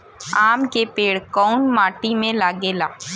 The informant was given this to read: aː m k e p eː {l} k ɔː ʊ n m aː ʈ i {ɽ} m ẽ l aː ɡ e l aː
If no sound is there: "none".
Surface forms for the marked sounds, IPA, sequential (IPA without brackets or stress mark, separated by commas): ɽ, none